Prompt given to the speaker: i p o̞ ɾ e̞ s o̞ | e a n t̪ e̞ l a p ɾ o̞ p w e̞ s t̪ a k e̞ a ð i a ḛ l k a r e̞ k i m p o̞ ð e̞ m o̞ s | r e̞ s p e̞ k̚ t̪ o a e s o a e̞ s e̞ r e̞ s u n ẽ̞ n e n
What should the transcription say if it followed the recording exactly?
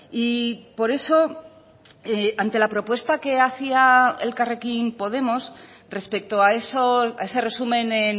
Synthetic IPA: i p o̞ ɾ e̞ s o̞ | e a n t̪ e̞ l a p ɾ o̞ p w e̞ s t̪ a k e̞ a θ i a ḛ l k a r e̞ k i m p o̞ ð e̞ m o̞ s | r e̞ s p e̞ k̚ t̪ o a e s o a e̞ s e̞ r e̞ s u m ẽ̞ n e n

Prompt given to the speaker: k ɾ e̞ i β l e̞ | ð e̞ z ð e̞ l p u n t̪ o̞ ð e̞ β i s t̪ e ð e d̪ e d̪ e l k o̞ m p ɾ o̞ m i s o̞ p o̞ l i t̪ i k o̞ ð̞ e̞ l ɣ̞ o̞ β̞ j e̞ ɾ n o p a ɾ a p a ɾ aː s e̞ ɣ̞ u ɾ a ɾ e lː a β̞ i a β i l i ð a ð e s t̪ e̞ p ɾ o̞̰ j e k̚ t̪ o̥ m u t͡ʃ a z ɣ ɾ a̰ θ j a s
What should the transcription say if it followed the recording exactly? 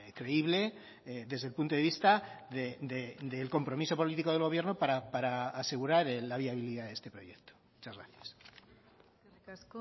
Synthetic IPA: k ɾ e̞ i β l e̞ | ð e̞ z ð e̞ l p u n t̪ o̞ ð e̞ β i s t̪ a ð e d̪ e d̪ e l k o̞ m p ɾ o̞ m i s o̞ p o̞ l i t̪ i k o̞ ð̞ e̞ l ɣ̞ o̞ β̞ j e̞ ɾ n o p a ɾ a p a ɾ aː s e̞ ɣ̞ u ɾ a ɾ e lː a β̞ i a β i l i ð a ð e s t̪ e̞ p ɾ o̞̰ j e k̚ t̪ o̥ m u t͡ʃ a z ɣ ɾ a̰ θ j a s

